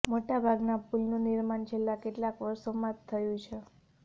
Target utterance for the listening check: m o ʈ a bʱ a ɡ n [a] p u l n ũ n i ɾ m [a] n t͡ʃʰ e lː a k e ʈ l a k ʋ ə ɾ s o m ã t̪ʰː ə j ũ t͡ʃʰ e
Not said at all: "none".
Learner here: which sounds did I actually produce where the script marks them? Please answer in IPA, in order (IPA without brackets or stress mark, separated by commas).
a, a